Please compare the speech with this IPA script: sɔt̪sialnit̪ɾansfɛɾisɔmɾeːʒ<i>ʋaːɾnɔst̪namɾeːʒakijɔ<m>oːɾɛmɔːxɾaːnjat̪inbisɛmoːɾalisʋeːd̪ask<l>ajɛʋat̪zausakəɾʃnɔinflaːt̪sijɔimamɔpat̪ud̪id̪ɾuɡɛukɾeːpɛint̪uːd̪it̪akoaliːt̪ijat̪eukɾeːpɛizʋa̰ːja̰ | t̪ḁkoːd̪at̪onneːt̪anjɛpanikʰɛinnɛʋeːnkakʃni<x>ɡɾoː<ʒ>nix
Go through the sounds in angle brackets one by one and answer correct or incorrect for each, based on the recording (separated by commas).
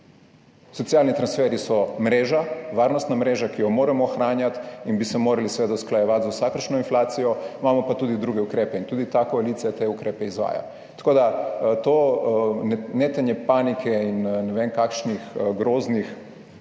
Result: incorrect, correct, correct, correct, incorrect